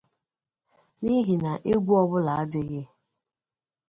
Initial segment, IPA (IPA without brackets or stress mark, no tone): n